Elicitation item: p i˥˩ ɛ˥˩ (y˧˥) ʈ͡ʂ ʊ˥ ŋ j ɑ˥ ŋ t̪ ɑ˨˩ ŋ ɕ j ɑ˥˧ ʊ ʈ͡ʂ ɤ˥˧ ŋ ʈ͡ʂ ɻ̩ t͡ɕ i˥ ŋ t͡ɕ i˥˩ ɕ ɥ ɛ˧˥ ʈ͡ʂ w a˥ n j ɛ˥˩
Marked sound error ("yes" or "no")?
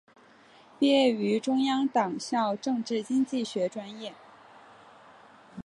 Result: no